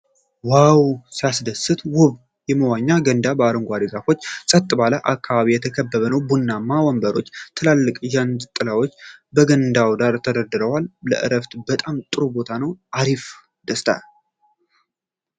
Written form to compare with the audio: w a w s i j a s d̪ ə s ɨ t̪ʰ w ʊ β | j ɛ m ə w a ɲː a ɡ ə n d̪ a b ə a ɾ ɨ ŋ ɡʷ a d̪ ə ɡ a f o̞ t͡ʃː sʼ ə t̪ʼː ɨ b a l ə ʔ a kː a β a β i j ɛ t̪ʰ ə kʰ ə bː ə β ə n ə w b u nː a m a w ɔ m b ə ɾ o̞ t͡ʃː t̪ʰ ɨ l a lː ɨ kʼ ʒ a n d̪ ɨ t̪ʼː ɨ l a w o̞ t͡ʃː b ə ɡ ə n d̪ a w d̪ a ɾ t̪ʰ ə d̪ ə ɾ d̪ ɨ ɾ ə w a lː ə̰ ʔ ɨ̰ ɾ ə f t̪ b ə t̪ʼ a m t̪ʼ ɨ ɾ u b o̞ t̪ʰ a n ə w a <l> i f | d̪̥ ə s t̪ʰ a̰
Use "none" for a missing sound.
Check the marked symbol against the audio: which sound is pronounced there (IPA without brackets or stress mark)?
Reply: ɾ